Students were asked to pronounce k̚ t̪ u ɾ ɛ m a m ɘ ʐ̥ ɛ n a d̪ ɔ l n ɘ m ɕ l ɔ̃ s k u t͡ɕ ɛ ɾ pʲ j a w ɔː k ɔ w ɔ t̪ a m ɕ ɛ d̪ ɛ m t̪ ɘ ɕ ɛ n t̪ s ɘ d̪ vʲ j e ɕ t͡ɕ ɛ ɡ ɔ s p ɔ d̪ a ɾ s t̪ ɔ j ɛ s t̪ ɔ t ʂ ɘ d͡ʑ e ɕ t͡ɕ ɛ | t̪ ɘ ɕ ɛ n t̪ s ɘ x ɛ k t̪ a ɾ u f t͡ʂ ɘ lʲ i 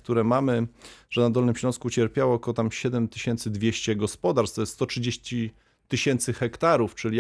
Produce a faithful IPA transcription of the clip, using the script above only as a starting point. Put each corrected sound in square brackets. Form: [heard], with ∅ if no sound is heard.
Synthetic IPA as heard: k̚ t̪ u ɾ ɛ m a m ɘ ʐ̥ ɛ n a d̪ ɔ l n ɘ m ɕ l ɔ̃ s k u t͡ɕ ɛ ɾ pʲ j a w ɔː k ɔ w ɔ t̪ a m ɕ ɛ d̪ ɛ m t̪ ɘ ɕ ɛ n t̪ s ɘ d̪ vʲ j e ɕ t͡ɕ ɛ ɡ ɔ s p ɔ d̪ a ɾ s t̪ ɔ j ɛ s t̪ ɔ t ʂ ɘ d͡ʑ e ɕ t͡ɕ [i] | t̪ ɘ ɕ ɛ n t̪ s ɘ x ɛ k t̪ a ɾ u f t͡ʂ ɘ lʲ i